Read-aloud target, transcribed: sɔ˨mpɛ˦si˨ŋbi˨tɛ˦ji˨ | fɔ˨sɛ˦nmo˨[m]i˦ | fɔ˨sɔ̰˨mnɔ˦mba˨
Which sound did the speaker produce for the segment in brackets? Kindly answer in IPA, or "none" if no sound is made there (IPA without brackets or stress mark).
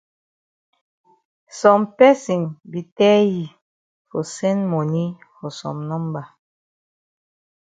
n